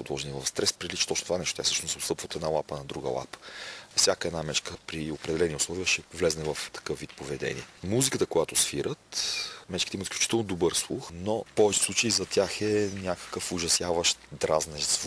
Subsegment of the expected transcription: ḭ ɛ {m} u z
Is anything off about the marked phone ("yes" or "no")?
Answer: no